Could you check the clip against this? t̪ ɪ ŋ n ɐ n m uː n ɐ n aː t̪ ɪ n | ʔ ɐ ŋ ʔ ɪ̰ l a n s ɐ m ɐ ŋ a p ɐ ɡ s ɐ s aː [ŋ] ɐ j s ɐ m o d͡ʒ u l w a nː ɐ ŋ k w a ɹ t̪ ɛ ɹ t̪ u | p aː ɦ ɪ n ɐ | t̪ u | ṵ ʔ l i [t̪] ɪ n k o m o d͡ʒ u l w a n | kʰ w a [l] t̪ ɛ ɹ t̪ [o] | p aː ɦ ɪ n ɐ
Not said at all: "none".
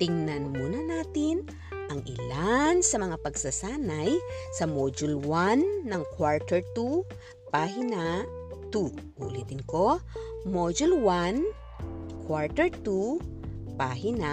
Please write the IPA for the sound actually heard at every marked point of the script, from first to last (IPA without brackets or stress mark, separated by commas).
n, t̪, ɹ, u